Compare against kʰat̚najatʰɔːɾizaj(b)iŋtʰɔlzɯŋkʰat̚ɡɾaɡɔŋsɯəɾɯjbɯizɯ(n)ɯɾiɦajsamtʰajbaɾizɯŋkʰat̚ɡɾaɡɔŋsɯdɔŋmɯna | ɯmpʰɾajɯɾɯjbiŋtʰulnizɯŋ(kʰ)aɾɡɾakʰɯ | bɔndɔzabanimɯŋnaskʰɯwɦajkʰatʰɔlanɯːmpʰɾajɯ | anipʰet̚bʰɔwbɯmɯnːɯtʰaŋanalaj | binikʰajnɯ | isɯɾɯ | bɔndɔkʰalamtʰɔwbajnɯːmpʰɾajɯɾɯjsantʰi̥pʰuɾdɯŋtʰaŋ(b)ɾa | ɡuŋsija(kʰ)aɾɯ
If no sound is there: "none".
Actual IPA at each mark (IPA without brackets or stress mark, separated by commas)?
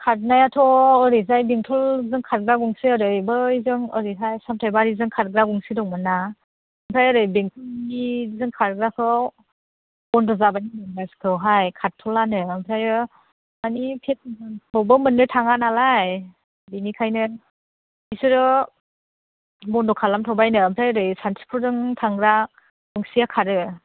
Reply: b, ŋ, kʰ, ɡ, kʰ